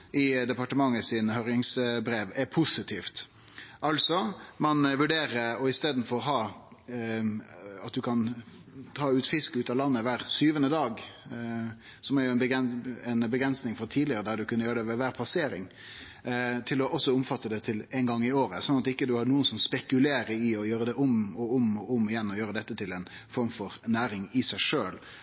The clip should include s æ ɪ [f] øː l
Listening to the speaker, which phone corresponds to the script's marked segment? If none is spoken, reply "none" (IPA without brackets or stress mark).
ʂ